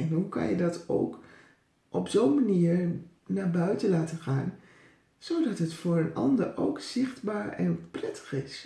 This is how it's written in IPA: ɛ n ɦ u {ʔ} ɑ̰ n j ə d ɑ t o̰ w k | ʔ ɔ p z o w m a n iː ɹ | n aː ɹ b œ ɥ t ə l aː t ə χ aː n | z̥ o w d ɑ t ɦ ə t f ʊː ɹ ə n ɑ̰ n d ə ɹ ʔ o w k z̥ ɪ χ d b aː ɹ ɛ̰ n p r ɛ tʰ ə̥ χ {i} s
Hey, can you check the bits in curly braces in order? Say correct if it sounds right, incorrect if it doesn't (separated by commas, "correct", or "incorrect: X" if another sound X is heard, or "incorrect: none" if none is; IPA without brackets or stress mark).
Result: incorrect: k, incorrect: ɪ